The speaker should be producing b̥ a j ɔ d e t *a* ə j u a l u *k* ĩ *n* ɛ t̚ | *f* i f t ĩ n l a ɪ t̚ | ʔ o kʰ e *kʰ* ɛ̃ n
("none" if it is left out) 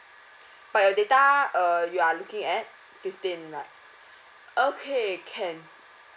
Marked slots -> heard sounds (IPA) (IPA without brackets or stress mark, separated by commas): a, k, ŋ, f, kʰ